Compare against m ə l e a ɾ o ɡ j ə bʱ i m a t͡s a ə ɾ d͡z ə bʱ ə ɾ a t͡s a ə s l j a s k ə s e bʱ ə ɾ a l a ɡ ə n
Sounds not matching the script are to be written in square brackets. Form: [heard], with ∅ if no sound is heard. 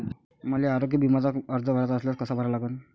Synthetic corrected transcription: m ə l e a ɾ o ɡ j ə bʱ i m a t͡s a ə ɾ d͡z ə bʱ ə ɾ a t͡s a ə s l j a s k ə s [a] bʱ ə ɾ a l a ɡ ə n